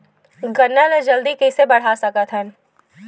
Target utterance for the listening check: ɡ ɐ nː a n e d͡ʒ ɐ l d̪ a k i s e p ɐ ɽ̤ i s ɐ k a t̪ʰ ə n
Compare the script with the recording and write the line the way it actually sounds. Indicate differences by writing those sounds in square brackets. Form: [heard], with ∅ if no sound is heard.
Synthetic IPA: ɡ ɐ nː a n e d͡ʒ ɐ l d̪ [i] k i s e [b] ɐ ɽ̤ [a] s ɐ k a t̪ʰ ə n